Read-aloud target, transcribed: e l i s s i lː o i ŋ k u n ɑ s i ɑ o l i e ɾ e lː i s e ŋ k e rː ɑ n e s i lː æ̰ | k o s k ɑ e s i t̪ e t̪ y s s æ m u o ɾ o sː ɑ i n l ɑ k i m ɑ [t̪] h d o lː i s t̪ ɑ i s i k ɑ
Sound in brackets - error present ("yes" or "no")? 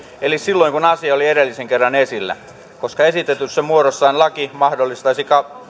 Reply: yes